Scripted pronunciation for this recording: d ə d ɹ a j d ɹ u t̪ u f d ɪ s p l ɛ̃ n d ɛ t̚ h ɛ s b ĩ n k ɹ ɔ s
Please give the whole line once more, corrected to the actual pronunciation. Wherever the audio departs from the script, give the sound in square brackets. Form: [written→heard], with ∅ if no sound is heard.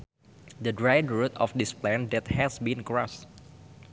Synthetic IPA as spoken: d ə d ɹ a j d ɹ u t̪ [u→ɔ] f d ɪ s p l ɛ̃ n d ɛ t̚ h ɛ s b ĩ n k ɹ ɔ s